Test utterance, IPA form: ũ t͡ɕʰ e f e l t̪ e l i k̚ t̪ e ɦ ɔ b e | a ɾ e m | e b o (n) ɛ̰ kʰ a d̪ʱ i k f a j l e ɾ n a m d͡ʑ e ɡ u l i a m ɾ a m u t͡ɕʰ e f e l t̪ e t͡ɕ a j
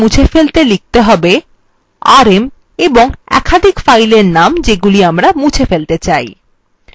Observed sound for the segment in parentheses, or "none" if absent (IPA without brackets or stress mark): ŋ